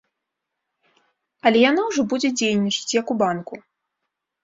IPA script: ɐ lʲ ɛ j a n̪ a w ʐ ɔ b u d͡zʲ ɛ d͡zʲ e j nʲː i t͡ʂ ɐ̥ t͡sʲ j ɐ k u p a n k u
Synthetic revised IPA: ɐ lʲ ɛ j a n̪ a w ʐ ɔ b u d͡zʲ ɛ d͡zʲ e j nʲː i t͡ʂ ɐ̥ t͡sʲ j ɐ k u b a n k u